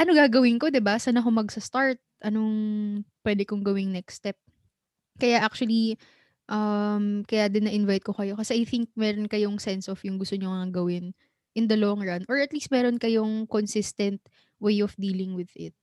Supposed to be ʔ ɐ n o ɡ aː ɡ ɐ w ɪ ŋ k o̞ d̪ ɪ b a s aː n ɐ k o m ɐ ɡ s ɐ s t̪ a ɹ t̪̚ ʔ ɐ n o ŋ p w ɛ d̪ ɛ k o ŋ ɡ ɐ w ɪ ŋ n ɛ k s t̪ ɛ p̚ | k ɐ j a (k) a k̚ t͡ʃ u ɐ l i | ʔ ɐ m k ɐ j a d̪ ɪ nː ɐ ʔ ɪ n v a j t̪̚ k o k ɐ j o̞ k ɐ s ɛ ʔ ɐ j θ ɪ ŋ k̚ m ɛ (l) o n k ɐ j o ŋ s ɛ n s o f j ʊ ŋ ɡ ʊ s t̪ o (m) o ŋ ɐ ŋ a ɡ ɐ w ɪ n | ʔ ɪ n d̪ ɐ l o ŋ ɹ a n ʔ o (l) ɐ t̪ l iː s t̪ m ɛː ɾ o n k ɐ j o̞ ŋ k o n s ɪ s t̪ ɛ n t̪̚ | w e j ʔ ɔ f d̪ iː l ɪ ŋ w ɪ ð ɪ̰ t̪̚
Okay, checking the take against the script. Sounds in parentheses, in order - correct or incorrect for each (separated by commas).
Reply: incorrect, incorrect, incorrect, incorrect